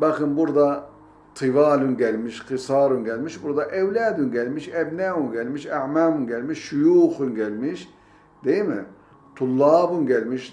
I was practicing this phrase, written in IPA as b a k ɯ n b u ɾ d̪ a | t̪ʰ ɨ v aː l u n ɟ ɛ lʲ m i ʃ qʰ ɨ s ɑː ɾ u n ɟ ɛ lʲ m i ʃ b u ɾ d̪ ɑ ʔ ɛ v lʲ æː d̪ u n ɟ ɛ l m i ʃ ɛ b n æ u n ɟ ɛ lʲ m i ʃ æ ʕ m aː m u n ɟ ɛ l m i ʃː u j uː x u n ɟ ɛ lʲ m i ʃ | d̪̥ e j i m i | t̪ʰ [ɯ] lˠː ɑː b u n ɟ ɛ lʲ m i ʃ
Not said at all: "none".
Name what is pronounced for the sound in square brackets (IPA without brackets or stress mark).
u